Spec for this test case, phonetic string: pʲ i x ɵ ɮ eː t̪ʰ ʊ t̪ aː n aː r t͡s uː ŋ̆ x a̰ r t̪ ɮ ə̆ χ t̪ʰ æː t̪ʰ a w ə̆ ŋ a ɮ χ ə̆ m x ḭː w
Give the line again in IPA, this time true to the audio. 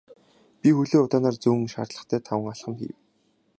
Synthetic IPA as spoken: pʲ i x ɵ ɮ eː ʊ t̪ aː n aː r t͡s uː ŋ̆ ʃ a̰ r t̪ ɮ ə̆ χ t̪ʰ æː t̪ʰ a w ə̆ ŋ a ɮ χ ə̆ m x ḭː w